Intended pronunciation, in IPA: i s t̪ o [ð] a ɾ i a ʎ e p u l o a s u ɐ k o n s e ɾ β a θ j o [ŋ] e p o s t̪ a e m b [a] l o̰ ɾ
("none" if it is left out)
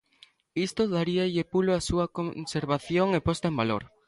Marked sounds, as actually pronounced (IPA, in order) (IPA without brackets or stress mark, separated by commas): ð, ŋ, a